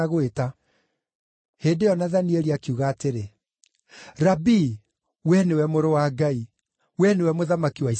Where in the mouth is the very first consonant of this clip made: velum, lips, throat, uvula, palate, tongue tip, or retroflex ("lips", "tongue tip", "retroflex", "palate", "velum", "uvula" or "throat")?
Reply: velum